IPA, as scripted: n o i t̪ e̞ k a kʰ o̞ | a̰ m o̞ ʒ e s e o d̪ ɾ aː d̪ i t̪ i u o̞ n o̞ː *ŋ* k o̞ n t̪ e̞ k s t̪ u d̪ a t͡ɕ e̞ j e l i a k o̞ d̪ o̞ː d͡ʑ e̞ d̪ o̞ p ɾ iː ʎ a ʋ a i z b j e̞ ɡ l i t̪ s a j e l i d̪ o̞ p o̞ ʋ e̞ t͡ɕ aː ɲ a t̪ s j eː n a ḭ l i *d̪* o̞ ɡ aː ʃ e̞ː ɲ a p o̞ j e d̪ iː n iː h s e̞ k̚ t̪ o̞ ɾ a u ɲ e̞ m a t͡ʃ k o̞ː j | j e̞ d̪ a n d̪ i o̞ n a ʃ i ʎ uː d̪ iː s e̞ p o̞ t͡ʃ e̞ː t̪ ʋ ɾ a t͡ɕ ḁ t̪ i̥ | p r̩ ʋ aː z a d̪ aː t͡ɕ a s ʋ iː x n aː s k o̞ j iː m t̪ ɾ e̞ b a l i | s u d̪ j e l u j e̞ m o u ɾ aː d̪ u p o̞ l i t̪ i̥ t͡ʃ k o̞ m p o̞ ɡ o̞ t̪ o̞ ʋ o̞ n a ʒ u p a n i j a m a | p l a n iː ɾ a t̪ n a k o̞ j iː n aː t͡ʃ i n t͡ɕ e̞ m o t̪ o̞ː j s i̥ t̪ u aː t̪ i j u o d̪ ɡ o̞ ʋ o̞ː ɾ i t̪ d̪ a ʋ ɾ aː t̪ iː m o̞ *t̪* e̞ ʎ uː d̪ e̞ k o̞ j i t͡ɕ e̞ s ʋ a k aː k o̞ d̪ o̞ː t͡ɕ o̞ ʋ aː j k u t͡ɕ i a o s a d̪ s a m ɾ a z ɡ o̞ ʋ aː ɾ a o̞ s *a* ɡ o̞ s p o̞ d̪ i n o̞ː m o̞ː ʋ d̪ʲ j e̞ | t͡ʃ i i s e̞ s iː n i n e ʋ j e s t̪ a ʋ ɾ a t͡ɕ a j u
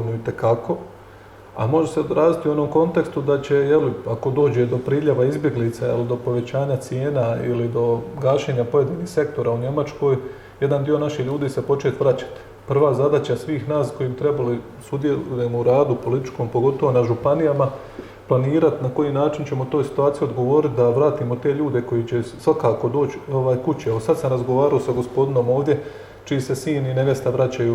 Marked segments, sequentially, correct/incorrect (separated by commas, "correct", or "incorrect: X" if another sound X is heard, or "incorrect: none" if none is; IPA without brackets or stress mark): incorrect: m, correct, correct, correct